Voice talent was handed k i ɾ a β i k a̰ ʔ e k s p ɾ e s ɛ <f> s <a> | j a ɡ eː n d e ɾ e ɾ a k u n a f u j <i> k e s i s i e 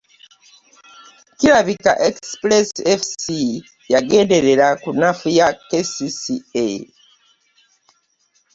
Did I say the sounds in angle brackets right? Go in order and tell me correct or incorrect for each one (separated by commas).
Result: correct, incorrect, incorrect